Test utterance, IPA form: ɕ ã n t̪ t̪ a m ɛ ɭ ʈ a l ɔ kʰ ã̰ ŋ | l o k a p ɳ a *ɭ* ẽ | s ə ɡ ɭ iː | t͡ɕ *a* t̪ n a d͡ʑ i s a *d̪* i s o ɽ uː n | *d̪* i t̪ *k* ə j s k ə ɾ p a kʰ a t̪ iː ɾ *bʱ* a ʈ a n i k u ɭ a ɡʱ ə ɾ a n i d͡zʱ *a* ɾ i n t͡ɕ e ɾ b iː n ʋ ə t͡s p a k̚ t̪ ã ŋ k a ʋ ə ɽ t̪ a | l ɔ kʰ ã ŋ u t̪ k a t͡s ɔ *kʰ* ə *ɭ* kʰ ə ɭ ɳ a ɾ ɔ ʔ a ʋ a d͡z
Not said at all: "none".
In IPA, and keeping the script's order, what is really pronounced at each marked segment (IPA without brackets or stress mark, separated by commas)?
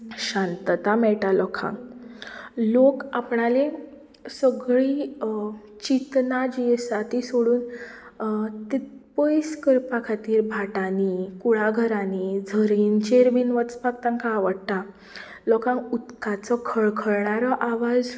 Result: l, i, t̪, t̪, p, bʱ, ə, kʰ, ɭ